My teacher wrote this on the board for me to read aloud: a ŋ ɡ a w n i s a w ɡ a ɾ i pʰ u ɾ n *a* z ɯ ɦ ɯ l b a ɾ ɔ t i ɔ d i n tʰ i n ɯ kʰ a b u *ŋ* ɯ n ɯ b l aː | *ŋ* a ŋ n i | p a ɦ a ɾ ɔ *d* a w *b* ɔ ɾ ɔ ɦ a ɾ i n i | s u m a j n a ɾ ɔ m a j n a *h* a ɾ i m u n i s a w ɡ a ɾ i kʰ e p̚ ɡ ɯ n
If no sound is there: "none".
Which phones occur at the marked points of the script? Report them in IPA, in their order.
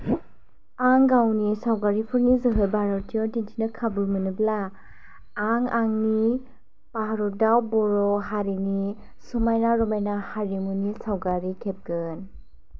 i, m, ŋ, d, b, h

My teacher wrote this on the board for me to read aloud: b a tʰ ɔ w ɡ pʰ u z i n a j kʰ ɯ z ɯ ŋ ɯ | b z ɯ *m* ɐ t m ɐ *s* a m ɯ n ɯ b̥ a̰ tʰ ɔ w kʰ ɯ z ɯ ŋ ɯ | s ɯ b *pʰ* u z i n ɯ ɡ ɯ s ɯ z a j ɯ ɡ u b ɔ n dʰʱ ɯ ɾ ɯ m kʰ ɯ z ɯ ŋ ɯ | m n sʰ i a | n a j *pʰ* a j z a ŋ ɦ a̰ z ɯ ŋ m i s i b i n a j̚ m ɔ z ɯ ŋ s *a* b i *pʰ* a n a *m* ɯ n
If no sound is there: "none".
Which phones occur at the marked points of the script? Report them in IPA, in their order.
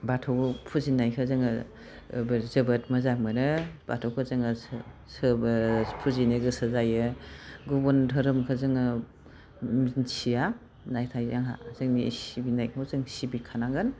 b, z, pʰ, tʰ, i, kʰ, ŋ

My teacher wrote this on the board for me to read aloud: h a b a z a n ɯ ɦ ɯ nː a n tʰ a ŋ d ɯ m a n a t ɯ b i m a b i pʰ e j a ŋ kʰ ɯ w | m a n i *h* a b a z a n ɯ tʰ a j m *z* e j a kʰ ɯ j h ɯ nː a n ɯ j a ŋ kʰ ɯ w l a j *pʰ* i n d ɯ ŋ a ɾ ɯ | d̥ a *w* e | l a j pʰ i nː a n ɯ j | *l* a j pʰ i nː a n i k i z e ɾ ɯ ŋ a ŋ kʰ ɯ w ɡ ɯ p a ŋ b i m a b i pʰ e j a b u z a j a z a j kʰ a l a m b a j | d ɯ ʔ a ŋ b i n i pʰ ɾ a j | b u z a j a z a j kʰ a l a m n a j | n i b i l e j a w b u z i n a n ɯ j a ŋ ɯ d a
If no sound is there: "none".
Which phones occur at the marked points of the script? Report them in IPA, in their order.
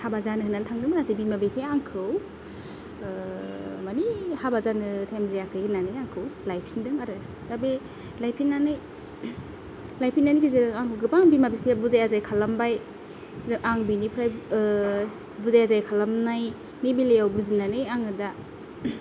h, z, pʰ, b, l

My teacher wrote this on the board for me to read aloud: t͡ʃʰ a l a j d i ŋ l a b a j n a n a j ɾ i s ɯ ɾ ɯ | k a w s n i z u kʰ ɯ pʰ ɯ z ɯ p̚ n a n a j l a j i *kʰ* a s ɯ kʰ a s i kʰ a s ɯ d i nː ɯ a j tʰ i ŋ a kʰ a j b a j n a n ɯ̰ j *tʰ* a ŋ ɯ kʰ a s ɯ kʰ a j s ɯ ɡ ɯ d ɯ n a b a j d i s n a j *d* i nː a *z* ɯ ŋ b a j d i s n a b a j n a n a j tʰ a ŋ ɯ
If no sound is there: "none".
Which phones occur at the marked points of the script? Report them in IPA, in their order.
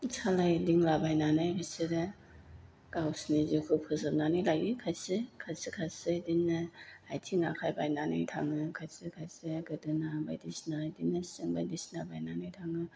kʰ, tʰ, d, s

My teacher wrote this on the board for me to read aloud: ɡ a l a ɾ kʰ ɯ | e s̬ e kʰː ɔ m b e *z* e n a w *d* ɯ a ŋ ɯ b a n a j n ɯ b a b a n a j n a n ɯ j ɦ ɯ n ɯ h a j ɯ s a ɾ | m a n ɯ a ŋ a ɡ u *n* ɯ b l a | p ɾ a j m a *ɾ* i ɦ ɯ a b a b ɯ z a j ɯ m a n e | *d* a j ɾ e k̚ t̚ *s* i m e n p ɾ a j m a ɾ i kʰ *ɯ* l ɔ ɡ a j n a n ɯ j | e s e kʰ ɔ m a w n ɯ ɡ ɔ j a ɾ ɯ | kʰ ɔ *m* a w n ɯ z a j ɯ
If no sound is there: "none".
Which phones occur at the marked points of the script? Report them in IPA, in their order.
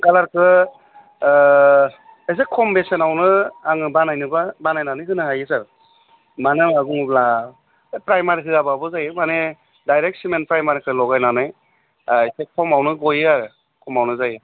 s, n, ŋ, ɾ, d, s, ɯ, m

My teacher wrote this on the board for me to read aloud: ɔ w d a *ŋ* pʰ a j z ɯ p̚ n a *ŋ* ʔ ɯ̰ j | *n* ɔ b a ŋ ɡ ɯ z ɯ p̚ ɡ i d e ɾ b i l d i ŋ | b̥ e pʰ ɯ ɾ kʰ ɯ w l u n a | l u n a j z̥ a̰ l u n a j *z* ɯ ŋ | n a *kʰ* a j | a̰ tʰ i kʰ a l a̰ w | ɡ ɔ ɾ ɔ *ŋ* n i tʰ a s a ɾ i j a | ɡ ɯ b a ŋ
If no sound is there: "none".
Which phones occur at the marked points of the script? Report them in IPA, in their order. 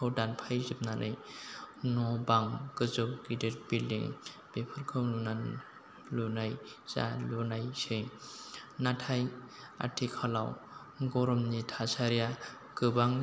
n, n, n, s, tʰ, m

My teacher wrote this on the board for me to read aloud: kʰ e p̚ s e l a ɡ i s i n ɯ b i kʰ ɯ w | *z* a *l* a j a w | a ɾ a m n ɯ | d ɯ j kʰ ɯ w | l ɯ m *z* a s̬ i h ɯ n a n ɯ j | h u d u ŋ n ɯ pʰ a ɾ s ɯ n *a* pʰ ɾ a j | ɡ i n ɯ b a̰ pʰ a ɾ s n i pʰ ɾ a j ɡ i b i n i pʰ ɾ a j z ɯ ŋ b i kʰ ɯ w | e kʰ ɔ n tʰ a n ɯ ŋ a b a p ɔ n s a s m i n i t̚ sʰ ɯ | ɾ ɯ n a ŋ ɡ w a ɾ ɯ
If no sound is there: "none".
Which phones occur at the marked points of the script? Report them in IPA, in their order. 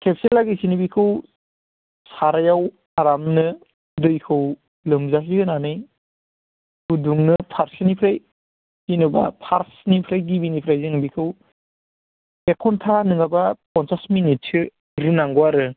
s, ɾ, z, i

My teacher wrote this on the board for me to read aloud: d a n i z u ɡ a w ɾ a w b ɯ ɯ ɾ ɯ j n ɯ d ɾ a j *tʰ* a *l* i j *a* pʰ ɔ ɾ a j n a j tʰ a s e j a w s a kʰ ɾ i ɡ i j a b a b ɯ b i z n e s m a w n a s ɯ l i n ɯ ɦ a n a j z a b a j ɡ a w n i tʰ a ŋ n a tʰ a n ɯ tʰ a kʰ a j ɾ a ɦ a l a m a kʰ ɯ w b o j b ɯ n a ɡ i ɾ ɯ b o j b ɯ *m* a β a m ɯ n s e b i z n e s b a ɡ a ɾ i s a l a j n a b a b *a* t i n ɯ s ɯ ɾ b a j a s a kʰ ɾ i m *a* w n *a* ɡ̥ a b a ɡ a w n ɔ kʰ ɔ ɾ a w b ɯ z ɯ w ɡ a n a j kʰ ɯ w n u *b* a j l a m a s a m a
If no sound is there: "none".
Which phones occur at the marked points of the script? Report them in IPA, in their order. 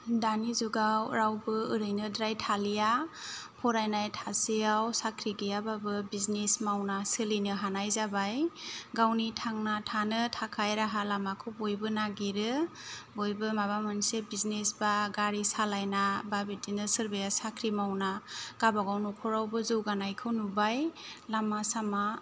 tʰ, l, a, m, i, a, a, b

